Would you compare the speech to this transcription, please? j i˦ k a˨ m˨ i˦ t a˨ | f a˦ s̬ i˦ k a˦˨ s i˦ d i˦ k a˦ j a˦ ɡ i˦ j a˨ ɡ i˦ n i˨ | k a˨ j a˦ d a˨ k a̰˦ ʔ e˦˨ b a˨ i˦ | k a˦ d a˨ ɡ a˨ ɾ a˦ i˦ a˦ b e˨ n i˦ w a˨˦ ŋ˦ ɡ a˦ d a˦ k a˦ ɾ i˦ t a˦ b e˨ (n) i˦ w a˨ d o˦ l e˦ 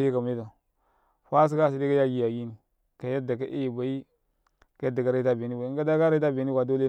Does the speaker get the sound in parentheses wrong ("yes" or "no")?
no